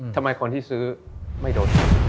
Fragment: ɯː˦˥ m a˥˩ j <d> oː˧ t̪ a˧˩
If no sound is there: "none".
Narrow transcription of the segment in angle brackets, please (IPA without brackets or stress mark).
d